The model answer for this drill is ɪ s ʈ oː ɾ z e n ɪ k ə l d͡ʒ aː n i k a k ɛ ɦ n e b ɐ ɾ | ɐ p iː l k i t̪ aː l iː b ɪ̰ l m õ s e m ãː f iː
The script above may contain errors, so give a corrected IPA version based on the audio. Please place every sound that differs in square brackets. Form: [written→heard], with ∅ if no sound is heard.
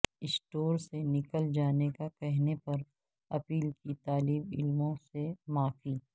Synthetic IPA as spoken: ɪ s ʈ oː ɾ [z→s] e n ɪ k ə l d͡ʒ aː n [i→e] k a k ɛ ɦ n e [b→p] ɐ ɾ | ɐ p iː l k i t̪ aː l iː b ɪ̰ l m õ s e m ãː f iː